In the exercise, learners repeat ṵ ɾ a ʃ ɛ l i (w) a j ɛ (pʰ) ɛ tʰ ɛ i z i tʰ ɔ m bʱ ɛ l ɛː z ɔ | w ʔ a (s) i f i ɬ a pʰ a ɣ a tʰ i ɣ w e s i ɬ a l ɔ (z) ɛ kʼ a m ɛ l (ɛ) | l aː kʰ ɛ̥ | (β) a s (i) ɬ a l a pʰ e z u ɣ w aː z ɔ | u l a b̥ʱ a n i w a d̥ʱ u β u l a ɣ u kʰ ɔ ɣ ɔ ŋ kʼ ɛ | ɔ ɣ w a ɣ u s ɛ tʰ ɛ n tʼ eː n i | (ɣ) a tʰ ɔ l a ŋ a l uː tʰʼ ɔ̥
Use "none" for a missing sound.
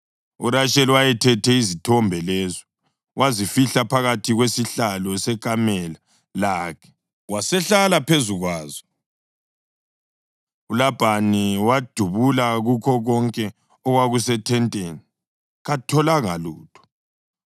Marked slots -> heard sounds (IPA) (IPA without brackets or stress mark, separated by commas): w, tʰ, z, s, a, w, ɛ, ɣ